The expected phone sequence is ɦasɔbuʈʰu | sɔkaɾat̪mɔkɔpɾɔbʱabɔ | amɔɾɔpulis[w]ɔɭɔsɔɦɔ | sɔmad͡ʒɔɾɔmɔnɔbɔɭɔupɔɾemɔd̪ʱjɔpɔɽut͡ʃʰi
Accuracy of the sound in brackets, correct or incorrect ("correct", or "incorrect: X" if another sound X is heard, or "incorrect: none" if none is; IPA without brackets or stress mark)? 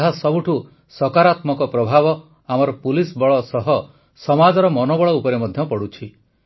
incorrect: b